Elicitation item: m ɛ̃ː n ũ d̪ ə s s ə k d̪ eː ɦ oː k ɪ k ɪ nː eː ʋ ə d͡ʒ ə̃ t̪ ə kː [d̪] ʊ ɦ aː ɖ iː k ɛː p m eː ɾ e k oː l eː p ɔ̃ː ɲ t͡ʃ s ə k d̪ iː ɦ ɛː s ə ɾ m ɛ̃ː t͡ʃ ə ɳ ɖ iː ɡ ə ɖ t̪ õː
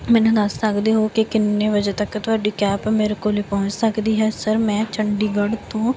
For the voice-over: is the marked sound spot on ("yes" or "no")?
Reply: no